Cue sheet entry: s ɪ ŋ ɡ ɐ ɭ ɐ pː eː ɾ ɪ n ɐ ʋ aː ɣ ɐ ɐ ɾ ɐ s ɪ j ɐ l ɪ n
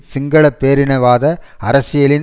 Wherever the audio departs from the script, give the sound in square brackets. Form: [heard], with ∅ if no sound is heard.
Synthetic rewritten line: s ɪ ŋ ɡ ɐ ɭ ɐ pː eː ɾ ɪ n ɐ ʋ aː [ð] ɐ ɐ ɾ ɐ s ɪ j ɐ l ɪ n

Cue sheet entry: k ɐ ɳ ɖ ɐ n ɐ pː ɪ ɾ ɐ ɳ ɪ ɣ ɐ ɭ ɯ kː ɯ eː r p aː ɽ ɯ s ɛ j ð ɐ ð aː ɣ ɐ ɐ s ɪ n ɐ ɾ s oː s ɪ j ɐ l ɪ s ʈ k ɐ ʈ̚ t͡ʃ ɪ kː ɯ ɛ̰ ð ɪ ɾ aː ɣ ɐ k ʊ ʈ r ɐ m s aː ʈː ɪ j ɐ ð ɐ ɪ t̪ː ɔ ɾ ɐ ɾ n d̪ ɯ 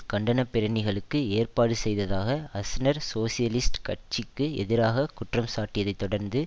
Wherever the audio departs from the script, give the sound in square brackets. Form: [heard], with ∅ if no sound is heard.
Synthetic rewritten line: k ɐ ɳ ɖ ɐ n ɐ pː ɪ ɾ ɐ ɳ ɪ ɣ ɐ ɭ ɯ kː ɯ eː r p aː ɽ ɯ s ɛ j ð ɐ ð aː ɣ ɐ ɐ s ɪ n ɐ ɾ s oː s ɪ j ɐ l ɪ s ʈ k ɐ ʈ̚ t͡ʃ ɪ kː ɯ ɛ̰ ð ɪ ɾ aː ɣ ɐ k ʊ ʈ r ɐ m s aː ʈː ɪ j ɐ ð ɐ ɪ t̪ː ɔ [ɽ] ɐ ɾ n d̪ ɯ

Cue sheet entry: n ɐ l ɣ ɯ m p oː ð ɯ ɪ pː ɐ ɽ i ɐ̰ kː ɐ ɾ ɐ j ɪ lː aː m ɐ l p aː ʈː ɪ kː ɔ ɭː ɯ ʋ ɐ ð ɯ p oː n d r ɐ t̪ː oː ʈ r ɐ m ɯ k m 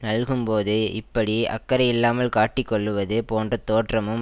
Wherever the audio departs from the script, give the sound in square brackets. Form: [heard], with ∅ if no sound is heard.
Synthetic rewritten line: n ɐ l ɣ ɯ m p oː ð ɯ ɪ pː ɐ ɽ i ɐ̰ kː ɐ ɾ ɐ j ɪ lː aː m ɐ l [k] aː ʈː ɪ kː ɔ ɭː ɯ ʋ ɐ ð ɯ p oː n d r ɐ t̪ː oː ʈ r ɐ m ɯ [∅] m

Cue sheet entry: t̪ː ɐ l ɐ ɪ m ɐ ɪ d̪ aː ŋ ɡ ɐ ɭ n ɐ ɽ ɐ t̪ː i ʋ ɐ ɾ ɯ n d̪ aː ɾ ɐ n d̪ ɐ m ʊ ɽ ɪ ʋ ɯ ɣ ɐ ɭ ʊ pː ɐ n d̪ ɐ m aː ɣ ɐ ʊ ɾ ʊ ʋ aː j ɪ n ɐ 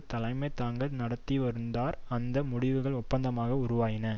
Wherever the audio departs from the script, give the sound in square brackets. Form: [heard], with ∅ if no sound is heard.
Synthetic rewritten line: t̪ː ɐ l ɐ ɪ m ɐ ɪ [t̪] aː ŋ ɡ ɐ ɭ n ɐ ɽ ɐ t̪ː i ʋ ɐ ɾ ɯ n d̪ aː ɾ ɐ n d̪ ɐ m ʊ ɽ ɪ ʋ ɯ ɣ ɐ ɭ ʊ pː ɐ n d̪ ɐ m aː ɣ ɐ ʊ ɾ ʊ ʋ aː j ɪ n ɐ

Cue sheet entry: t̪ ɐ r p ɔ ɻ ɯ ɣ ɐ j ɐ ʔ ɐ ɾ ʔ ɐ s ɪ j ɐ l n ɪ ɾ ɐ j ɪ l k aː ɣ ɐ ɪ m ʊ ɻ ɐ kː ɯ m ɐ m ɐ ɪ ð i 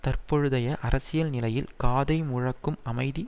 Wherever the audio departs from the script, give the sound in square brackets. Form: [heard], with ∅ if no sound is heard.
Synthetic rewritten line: t̪ ɐ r p ɔ ɻ ɯ [ð] ɐ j ɐ ʔ ɐ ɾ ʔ ɐ s ɪ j ɐ l n ɪ [l] ɐ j ɪ l k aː [ð] ɐ ɪ m ʊ ɻ ɐ kː ɯ m ɐ m ɐ ɪ ð i

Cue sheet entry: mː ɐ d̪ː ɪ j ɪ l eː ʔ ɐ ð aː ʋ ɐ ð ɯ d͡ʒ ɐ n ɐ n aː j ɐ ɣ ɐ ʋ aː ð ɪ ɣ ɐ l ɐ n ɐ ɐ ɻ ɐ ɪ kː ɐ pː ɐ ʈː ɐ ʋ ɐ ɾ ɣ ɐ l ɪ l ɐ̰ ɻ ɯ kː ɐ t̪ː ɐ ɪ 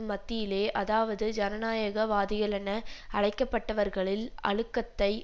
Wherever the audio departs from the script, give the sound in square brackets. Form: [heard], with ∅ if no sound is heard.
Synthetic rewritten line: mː ɐ [t̪ː] ɪ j ɪ l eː ʔ ɐ ð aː ʋ ɐ ð ɯ d͡ʒ ɐ n ɐ n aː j ɐ ɣ ɐ ʋ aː ð ɪ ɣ ɐ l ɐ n ɐ ɐ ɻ ɐ ɪ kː ɐ pː ɐ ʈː ɐ ʋ ɐ ɾ ɣ ɐ [ɭ] ɪ l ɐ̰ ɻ ɯ kː ɐ t̪ː ɐ ɪ

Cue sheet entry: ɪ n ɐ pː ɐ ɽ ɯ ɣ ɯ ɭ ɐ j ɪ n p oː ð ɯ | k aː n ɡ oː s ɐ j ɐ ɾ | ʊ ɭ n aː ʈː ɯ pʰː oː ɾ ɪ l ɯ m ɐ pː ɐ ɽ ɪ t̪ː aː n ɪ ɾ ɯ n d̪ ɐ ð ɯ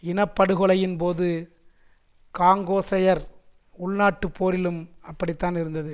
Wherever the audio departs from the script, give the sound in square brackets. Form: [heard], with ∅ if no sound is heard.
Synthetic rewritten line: ɪ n ɐ pː ɐ ɽ ɯ ɣ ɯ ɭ ɐ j ɪ n p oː ð ɯ | k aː [ŋ] ɡ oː s ɐ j ɐ ɾ | ʊ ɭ n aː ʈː ɯ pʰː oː ɾ ɪ l ɯ m ɐ pː ɐ ɽ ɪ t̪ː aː n ɪ ɾ ɯ n d̪ ɐ ð ɯ

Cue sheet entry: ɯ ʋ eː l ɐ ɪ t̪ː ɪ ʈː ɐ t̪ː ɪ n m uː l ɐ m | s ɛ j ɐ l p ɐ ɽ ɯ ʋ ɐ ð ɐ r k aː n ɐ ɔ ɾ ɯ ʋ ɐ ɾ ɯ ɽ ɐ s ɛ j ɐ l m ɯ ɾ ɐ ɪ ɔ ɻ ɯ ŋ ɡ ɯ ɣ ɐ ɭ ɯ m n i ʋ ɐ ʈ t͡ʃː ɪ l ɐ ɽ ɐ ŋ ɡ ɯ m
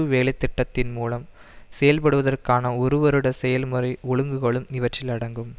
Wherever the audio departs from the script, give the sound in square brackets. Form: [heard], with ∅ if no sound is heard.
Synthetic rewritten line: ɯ ʋ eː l ɐ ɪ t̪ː ɪ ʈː ɐ t̪ː ɪ n m uː l ɐ m | s ɛ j ɐ l p ɐ ɽ ɯ ʋ ɐ ð ɐ r k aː n ɐ ɔ ɾ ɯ ʋ ɐ ɾ ɯ ɽ ɐ s ɛ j ɐ l m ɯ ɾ ɐ ɪ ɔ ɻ ɯ ŋ ɡ ɯ ɣ ɐ ɭ ɯ m n [ɪ] ʋ ɐ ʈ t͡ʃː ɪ l ɐ ɽ ɐ ŋ ɡ ɯ m

